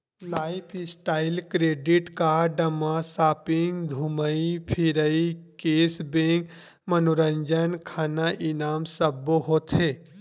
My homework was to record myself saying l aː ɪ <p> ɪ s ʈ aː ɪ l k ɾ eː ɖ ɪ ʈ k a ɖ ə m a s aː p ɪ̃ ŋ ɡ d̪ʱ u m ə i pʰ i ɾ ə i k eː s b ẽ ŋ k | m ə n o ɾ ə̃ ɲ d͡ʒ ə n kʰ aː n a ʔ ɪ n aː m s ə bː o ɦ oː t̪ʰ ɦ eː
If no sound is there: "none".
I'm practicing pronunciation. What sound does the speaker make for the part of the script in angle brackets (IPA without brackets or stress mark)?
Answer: pʰ